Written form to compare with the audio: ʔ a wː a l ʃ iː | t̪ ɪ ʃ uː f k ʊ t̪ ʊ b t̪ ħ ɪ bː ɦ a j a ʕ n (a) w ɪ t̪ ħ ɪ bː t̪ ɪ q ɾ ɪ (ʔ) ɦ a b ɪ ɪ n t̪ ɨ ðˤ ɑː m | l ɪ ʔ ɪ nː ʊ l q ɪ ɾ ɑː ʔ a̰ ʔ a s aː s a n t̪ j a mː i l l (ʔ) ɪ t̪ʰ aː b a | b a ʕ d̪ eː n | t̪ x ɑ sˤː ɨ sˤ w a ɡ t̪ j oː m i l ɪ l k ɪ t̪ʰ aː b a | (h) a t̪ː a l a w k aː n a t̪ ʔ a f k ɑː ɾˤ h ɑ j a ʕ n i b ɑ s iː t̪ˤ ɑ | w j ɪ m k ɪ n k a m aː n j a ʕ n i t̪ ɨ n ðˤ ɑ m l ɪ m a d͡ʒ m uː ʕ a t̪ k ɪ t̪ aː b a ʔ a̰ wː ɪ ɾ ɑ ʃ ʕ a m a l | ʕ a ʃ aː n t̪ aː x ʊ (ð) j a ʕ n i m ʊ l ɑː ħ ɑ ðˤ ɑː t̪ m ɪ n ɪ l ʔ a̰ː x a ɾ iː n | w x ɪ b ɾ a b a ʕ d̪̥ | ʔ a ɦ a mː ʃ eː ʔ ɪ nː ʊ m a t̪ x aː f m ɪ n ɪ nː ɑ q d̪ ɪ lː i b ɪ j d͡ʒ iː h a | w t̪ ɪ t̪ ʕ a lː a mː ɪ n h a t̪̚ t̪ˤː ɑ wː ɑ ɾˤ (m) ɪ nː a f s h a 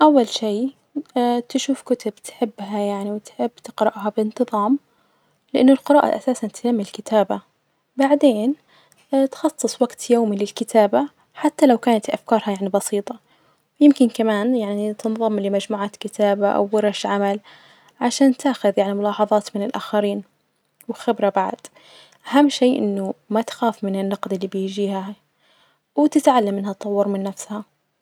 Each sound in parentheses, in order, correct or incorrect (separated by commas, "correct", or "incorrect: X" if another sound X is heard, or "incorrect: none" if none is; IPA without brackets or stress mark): incorrect: i, correct, incorrect: k, incorrect: ħ, correct, correct